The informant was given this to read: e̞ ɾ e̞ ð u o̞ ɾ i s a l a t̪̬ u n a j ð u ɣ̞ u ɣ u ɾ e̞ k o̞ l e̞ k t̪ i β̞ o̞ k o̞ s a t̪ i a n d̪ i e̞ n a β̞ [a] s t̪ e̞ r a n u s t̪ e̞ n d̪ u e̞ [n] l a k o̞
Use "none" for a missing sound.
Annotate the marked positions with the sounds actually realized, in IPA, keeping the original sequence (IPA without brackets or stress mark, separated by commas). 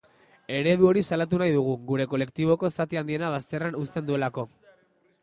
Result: a, none